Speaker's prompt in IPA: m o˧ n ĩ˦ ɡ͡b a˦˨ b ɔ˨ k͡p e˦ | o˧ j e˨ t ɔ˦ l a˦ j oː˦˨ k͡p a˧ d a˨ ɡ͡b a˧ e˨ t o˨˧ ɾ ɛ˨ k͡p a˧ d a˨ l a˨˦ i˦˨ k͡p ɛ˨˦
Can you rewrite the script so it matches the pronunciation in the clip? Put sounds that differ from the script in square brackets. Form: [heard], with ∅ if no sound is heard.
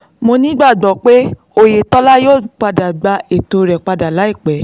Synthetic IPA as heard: m o˧ n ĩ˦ ɡ͡b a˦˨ [ɡ͡b] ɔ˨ k͡p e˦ | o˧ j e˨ t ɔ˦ l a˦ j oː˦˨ k͡p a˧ d a˨ ɡ͡b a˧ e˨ t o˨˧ ɾ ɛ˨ k͡p a˧ d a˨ l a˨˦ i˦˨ k͡p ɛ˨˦